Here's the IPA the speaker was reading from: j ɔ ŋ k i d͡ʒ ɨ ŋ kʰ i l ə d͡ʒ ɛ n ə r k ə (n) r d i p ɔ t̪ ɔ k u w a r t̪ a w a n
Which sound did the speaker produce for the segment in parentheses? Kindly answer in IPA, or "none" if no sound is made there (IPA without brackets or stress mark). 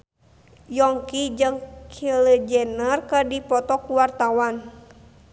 none